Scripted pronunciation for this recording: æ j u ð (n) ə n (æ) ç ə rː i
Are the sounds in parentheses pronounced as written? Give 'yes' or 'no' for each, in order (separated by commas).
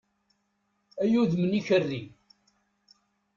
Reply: no, no